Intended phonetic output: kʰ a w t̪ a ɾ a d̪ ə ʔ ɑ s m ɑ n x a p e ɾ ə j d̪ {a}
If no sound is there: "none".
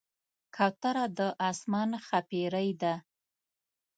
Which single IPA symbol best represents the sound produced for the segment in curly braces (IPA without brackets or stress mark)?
a